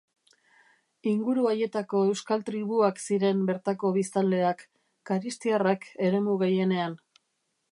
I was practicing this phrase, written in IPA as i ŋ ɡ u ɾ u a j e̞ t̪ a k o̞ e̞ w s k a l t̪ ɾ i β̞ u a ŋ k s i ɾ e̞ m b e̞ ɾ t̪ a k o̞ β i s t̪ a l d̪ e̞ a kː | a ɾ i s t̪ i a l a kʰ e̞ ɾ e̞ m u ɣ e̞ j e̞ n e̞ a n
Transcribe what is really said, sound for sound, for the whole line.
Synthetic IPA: i ŋ ɡ u ɾ u a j e̞ t̪ a k o̞ e̞ w s k a l t̪ ɾ i β̞ u a k s i ɾ e̞ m b e̞ ɾ t̪ a k o̞ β i s t̪ a l d̪ e̞ a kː | a ɾ i s t̪ i a r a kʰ e̞ ɾ e̞ m u ɣ e̞ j e̞ n e̞ a n